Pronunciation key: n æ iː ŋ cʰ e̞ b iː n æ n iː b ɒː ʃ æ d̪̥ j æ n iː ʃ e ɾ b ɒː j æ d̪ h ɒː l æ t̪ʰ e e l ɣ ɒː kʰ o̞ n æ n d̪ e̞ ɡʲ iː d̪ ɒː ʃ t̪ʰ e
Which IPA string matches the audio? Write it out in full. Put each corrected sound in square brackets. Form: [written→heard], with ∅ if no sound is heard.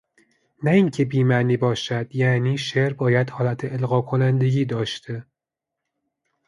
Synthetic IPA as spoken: n æ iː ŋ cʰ e̞ b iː [n→m] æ n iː b ɒː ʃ æ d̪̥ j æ n iː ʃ e ɾ b ɒː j æ d̪ h ɒː l æ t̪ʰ e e l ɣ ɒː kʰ o̞ n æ n d̪ e̞ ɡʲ iː d̪ ɒː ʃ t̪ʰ e